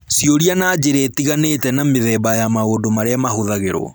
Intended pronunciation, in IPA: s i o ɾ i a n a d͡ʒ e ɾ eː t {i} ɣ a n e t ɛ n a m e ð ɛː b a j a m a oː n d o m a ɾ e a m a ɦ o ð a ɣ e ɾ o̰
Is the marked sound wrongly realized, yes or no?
no